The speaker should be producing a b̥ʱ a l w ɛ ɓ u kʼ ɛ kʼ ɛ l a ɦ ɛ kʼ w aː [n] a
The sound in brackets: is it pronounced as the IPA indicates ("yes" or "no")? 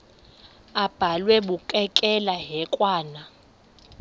yes